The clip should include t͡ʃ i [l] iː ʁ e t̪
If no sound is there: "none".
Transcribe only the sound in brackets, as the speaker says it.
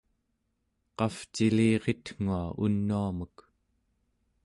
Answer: l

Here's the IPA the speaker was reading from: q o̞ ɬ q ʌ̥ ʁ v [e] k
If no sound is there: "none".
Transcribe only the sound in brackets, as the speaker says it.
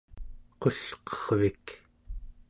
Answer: i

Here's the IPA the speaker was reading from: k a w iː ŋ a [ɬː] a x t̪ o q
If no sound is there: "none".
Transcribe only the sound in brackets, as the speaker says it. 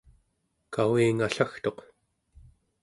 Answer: ɬ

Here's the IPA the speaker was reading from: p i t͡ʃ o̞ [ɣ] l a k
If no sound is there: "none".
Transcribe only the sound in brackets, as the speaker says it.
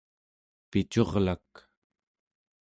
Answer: ʁ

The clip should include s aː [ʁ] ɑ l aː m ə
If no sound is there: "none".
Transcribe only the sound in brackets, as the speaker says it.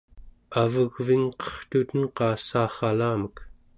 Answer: χ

